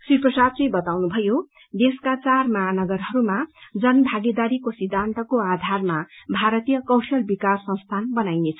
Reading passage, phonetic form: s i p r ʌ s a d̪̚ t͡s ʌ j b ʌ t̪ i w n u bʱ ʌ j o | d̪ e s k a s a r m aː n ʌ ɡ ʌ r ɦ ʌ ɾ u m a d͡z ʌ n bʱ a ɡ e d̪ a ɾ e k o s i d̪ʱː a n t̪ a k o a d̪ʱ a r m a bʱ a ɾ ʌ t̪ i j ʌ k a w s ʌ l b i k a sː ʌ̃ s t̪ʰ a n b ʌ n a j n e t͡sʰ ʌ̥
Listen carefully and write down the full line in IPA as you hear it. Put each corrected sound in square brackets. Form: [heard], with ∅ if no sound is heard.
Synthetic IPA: s i p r ʌ s a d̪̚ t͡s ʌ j b ʌ t̪ [a] w n u bʱ ʌ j o | d̪ e s k a [t͡s] a r m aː n ʌ ɡ ʌ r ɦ ʌ ɾ u m a d͡z ʌ n bʱ a ɡ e d̪ a ɾ [i] k o s i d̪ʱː a n t̪ [ʌ] k o a d̪ʱ a r m a bʱ a ɾ ʌ t̪ i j ʌ k [ʌ] w s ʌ l b i k a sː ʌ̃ s t̪ʰ a n b ʌ n a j n e t͡sʰ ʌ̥